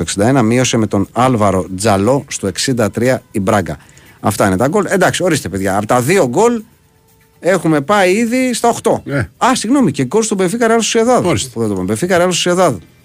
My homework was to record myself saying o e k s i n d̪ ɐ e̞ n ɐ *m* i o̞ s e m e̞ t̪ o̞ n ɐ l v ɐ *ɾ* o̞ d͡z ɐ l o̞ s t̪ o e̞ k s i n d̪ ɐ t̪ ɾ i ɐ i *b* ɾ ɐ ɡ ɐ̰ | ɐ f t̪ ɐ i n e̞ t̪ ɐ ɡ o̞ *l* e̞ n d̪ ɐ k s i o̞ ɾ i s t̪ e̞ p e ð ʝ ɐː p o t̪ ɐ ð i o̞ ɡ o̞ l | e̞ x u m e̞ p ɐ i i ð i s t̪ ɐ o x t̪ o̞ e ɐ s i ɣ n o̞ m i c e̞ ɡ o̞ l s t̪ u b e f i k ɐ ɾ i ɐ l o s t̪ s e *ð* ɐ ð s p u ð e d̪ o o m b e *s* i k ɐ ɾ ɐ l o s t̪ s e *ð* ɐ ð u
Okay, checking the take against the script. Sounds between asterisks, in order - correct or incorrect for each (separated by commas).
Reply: correct, correct, correct, correct, correct, incorrect, correct